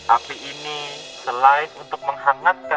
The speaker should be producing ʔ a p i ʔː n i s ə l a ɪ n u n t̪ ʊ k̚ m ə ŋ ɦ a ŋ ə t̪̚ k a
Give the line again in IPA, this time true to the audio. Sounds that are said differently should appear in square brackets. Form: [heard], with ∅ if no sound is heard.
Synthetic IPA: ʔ a p i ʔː n i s ə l a ɪ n u n t̪ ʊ k̚ m ə ŋ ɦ a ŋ [a] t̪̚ k a